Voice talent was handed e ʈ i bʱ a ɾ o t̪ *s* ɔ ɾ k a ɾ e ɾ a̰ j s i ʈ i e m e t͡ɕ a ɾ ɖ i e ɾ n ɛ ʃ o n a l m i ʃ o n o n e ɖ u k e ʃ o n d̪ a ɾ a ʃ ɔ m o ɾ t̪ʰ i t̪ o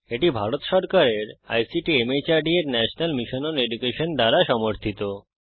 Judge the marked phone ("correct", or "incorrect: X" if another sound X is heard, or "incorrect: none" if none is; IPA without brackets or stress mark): incorrect: ʃ